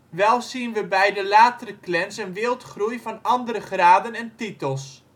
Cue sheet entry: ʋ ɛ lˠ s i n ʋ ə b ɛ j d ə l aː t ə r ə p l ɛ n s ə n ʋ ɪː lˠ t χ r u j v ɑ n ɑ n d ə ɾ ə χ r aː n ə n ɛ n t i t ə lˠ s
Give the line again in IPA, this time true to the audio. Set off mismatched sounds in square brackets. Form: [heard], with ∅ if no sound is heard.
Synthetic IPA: ʋ ɛ lˠ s i n ʋ ə b ɛ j d ə l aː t ə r ə [k] l ɛ n s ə n ʋ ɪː lˠ t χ r u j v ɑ n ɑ n d ə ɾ ə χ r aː [d] ə n ɛ n t i t ə lˠ s

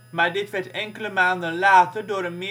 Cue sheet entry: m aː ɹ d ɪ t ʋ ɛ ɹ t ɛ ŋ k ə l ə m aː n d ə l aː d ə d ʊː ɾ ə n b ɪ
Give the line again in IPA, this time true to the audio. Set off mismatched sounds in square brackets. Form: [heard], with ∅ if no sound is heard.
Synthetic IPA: m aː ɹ d ɪ t ʋ ɛ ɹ t ɛ ŋ k ə l ə m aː n d ə l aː [t] ə d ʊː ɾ ə n [m] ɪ

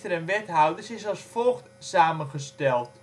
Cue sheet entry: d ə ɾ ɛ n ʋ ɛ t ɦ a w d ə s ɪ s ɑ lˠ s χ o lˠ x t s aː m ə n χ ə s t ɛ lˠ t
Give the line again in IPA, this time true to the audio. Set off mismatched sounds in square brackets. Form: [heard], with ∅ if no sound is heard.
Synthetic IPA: [t] ə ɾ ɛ n ʋ ɛ t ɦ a w d ə s ɪ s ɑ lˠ s [f] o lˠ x t s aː m ə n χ ə s t ɛ lˠ t

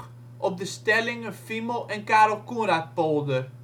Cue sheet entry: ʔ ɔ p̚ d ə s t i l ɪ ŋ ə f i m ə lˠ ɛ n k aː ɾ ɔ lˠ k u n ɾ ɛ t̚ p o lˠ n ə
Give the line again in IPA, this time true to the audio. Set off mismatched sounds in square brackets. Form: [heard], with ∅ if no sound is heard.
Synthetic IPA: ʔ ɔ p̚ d ə s t [ɛ] l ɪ ŋ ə f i m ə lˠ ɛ n k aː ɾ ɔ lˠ k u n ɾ [a] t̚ p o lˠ [d] ə

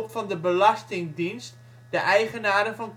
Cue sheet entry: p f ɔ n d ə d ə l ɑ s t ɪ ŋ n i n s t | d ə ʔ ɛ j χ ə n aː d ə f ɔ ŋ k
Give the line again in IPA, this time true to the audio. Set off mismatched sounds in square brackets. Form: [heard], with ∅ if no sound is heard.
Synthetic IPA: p f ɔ n d ə [b] ə l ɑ s t ɪ ŋ [d] i n s t | d ə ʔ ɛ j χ ə n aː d ə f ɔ [n] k

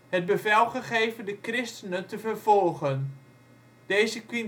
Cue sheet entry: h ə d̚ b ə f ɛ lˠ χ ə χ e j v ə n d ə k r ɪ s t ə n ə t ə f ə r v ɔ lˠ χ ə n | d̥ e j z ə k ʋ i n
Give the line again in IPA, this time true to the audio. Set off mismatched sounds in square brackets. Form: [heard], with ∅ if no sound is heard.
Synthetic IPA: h ə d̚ b ə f ɛ lˠ χ ə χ e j v ə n d ə k r ɪ s t ə n ə t ə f ə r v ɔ lˠ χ ə n | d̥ e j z ə k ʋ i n

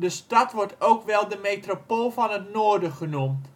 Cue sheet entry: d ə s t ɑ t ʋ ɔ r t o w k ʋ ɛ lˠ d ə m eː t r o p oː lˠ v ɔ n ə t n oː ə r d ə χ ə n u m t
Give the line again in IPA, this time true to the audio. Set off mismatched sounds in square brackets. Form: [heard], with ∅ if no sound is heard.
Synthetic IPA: d ə s t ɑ t ʋ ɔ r t o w k ʋ ɛ lˠ d ə m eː t r o p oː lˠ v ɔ n ə t n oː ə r d ə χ ə n u m t

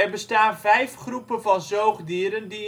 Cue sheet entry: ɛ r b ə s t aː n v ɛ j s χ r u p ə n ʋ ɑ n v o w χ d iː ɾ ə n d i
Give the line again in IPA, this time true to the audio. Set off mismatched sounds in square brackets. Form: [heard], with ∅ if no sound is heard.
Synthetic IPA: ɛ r b ə s t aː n v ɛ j [f] χ r u p ə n [v] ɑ n [z] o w χ d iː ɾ ə n d i

